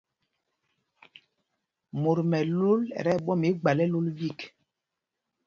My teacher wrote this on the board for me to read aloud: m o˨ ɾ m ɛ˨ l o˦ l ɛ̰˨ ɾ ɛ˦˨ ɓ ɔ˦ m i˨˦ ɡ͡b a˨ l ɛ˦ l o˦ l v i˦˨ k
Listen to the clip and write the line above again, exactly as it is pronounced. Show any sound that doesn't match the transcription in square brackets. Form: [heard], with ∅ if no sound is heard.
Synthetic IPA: m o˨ ɾ m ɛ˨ l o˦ l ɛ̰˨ ɾ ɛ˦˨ ɓ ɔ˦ m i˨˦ ɡ͡b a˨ l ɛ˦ l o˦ l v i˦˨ k